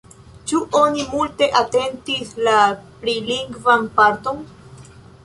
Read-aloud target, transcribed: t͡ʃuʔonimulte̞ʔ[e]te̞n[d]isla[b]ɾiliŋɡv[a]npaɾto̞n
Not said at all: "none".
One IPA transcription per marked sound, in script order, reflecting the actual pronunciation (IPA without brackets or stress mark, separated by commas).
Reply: a, t, p, a